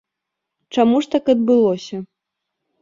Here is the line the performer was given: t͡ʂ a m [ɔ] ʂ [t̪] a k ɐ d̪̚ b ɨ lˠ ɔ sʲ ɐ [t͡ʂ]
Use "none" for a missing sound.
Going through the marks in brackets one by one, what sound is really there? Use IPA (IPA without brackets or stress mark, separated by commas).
u, t̪, none